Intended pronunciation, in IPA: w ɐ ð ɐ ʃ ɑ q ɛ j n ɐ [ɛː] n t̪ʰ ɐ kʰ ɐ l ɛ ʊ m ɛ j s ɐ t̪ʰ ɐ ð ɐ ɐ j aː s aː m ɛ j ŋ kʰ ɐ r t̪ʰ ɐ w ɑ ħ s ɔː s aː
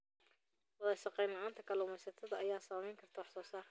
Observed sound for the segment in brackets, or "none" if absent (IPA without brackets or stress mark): aː